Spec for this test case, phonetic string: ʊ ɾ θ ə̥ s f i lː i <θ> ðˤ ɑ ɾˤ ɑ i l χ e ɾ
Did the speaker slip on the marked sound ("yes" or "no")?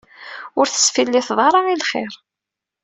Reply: no